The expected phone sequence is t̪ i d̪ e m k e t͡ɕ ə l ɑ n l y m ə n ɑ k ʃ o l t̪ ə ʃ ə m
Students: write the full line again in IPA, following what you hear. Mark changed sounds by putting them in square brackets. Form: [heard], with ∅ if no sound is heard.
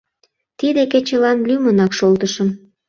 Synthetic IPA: t̪ i d̪ e [∅] k e t͡ɕ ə l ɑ n l y m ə n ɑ k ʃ o l t̪ ə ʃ ə m